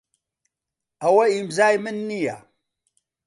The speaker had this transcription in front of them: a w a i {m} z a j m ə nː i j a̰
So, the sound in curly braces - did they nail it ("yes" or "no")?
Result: yes